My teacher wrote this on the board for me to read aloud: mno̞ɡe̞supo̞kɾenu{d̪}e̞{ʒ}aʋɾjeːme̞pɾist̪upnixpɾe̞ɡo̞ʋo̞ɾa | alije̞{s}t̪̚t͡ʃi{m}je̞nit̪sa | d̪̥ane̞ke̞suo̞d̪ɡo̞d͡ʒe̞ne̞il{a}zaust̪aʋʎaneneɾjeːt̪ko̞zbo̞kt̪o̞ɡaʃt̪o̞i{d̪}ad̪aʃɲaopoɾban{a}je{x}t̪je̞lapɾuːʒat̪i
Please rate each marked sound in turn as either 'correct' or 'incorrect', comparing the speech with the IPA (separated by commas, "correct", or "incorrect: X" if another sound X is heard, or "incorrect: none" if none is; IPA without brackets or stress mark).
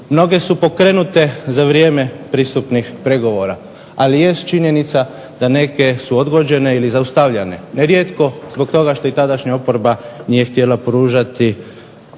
incorrect: t̪, incorrect: z, correct, incorrect: ɲ, incorrect: i, incorrect: t̪, incorrect: i, correct